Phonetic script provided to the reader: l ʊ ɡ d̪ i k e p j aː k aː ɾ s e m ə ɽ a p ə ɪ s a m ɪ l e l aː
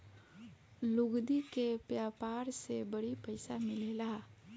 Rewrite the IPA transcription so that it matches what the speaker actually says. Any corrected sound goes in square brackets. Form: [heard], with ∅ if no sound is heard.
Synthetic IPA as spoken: l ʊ ɡ d̪ i k e p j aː [p] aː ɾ s e [b] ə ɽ [i] p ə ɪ s a m ɪ l e l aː